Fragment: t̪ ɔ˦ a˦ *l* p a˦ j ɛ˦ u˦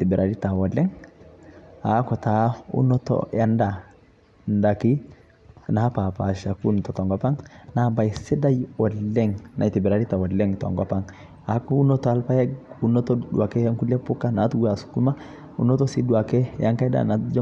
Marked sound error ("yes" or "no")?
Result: no